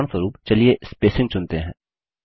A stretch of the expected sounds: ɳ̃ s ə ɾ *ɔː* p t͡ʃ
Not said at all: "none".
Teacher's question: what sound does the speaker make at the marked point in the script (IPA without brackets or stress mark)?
uː